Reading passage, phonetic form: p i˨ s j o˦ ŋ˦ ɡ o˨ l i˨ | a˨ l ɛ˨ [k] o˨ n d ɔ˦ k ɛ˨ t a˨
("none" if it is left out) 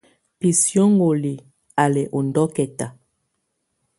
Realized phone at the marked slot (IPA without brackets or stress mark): ʔ